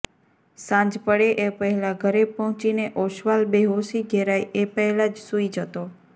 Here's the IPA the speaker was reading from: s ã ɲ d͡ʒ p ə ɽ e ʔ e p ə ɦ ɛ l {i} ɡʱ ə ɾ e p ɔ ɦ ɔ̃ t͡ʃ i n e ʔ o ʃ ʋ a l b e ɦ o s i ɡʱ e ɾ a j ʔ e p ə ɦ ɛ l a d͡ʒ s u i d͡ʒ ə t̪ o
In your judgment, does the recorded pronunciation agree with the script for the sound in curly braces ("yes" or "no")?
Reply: no